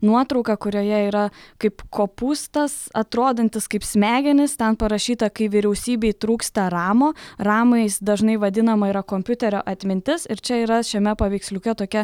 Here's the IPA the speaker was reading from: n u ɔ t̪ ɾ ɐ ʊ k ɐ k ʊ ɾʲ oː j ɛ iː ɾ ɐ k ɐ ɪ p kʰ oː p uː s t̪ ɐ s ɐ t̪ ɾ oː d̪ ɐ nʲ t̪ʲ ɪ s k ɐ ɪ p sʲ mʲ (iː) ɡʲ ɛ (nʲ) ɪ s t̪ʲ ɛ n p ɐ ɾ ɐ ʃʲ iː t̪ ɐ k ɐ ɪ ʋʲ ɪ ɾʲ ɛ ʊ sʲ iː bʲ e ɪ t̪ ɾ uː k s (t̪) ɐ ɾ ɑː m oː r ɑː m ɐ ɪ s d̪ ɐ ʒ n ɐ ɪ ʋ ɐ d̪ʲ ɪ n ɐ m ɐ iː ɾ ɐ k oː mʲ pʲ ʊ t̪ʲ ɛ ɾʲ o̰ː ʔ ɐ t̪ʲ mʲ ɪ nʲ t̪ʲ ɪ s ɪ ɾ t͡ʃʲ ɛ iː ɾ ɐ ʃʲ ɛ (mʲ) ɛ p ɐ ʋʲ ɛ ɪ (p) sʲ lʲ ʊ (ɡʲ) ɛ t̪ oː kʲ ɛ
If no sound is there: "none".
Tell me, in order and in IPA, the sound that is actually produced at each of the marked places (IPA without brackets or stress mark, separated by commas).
æː, nʲ, t̪, mʲ, k, kʲ